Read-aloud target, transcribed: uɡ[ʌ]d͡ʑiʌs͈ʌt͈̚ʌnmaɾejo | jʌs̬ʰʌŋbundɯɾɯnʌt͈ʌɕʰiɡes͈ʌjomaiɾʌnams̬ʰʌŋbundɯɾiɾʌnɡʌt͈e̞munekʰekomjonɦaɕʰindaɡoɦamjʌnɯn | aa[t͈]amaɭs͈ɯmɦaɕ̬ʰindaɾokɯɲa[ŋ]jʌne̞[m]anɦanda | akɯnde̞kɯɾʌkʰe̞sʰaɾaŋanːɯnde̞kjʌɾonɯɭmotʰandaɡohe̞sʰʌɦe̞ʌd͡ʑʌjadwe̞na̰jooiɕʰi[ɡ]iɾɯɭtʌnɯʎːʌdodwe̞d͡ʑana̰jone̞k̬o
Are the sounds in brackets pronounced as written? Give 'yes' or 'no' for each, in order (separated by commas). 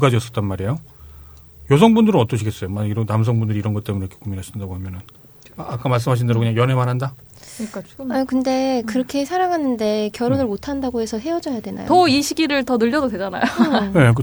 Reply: no, no, yes, yes, yes